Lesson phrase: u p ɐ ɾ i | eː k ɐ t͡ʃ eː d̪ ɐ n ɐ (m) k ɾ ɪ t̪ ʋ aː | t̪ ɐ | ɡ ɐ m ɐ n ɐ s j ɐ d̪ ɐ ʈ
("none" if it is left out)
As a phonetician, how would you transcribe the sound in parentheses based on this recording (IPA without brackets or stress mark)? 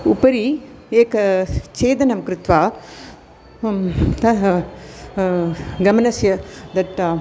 m